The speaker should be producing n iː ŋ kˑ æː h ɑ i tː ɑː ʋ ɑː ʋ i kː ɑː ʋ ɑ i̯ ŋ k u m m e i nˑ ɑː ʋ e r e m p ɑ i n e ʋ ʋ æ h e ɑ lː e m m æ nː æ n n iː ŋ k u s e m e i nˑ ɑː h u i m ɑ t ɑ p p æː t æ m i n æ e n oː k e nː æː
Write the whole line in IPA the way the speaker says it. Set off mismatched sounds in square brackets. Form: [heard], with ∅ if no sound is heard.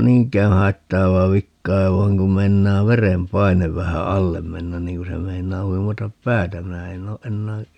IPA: n iː ŋ kˑ æː h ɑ i tː ɑː ʋ ɑː ʋ i kː ɑː ʋ ɑ i̯ ŋ k u m m e i nˑ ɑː ʋ e r e m p ɑ i n e ʋ ʋ æ h [æ] ɑ lː e m m [e] nː æ n n iː ŋ k u s e m e i nˑ ɑː h u i m ɑ t ɑ p p æː t æ m i n æ e n oː [ʔ] e nː æː